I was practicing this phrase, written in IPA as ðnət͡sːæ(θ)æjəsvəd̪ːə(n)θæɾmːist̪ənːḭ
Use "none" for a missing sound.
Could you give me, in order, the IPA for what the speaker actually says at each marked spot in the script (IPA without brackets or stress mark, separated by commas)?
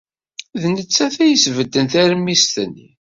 θ, n